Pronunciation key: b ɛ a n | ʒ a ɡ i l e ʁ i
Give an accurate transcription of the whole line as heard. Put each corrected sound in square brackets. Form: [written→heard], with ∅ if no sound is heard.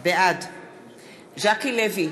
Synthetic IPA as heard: b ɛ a [n→d] | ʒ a [ɡ→k] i l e [ʁ→v] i